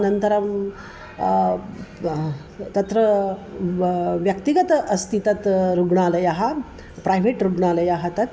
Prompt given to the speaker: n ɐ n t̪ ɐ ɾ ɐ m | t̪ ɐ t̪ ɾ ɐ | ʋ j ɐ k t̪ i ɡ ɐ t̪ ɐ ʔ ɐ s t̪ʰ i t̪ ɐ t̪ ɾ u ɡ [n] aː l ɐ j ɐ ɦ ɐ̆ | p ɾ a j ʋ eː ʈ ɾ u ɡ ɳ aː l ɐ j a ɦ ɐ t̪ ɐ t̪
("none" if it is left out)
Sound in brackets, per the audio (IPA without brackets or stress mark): ɳ